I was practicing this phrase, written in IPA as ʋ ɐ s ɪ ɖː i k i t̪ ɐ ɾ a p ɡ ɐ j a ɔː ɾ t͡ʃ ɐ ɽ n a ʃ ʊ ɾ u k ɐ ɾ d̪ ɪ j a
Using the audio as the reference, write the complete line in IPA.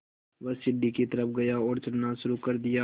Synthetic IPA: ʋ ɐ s ɪ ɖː i k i t̪ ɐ ɾ ə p ɡ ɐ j a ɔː ɾ t͡ʃ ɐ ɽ n a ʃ ʊ ɾ u k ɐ ɾ d̪ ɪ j a

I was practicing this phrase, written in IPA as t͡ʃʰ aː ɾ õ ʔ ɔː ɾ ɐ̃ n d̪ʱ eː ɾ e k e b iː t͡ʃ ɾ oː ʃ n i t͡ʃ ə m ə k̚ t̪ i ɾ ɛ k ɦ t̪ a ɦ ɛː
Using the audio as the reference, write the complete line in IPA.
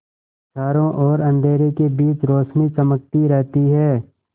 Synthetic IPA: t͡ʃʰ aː ɾ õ ʔ ɔː ɾ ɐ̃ n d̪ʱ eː ɾ e k e b iː t͡ʃ ɾ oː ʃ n i t͡ʃ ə m ə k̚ t̪ i ɾ ɛ ɦ t̪ i ɦ ɛː

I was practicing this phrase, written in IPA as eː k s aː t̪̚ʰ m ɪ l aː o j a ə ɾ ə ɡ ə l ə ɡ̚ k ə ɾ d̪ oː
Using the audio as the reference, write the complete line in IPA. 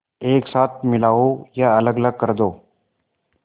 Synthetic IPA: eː k s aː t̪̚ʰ m ɪ l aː o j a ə l ə ɡ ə l ə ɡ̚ k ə ɾ d̪ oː

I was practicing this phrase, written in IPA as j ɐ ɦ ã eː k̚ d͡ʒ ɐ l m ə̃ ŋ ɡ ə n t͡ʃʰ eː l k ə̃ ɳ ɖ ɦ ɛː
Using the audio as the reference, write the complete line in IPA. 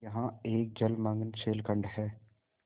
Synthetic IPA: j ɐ ɦ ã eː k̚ d͡ʒ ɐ l m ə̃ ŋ ɡ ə n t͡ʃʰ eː l k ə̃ ɳ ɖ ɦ ɛː

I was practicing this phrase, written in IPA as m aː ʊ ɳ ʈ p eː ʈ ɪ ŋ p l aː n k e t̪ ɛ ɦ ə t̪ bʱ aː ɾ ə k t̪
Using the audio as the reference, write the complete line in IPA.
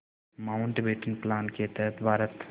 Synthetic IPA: m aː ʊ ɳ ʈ b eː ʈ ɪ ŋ p l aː n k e t̪ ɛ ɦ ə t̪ bʱ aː ɾ ə t̪

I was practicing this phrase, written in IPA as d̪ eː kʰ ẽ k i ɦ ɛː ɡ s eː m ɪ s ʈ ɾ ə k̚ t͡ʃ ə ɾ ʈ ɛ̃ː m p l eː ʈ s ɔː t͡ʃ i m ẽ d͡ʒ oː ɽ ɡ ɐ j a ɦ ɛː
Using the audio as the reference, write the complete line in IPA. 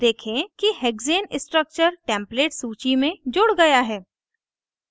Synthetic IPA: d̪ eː kʰ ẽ k i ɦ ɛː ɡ z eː n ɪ s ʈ ɾ ə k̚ t͡ʃ ə ɾ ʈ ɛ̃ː m p l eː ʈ s uː t͡ʃ i m ẽ d͡ʒ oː ɽ ɡ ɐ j a ɦ ɛː

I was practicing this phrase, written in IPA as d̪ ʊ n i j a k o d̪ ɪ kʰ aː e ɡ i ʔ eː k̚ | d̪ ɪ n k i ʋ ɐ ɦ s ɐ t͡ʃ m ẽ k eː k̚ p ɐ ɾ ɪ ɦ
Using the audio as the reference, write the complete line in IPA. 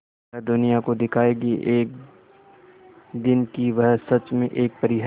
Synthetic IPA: d̪ ʊ n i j a k o d̪ ɪ kʰ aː e ɡ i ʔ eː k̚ | d̪ ɪ n k i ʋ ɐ ɦ s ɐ t͡ʃ m ẽ ʔ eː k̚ p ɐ ɾ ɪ ɦ

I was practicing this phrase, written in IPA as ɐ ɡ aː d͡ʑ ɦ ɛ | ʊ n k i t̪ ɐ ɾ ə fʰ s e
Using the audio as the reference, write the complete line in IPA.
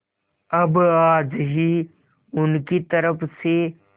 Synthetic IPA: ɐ b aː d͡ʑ ɦ i | ʊ n k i t̪ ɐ ɾ ə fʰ s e

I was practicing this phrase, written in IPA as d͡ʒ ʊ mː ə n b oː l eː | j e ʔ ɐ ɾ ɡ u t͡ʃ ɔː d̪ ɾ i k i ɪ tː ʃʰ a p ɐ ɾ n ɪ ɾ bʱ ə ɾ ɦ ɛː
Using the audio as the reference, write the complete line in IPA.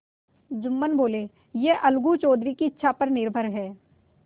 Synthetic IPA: d͡ʒ ʊ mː ə n b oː l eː | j e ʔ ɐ l ɡ u t͡ʃ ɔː d̪ ɾ i k i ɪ tː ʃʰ a p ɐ ɾ n ɪ ɾ bʱ ə ɾ ɦ ɛː

